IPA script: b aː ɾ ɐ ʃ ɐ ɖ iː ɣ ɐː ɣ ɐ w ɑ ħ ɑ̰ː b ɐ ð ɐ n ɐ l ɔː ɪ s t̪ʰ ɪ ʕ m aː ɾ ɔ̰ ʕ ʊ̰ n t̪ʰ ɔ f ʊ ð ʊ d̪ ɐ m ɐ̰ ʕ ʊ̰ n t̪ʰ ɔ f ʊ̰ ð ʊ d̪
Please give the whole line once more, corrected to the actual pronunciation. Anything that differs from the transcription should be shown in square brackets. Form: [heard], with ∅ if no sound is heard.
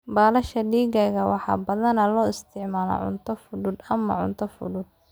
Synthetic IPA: b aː [l] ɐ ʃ ɐ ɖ iː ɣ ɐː ɣ ɐ w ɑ ħ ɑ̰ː b ɐ ð ɐ n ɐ l ɔː ɪ s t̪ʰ ɪ ʕ m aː [l] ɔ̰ ʕ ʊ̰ n t̪ʰ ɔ f ʊ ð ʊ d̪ ɐ m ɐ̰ ʕ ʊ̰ n t̪ʰ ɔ f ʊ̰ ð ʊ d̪